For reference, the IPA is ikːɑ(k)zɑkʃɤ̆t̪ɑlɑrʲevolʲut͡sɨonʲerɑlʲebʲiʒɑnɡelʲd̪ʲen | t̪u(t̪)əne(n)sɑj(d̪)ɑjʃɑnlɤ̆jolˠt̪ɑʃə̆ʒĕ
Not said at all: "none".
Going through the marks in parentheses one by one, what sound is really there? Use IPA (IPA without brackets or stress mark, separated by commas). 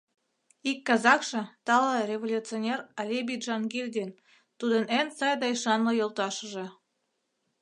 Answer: none, d̪, n, d̪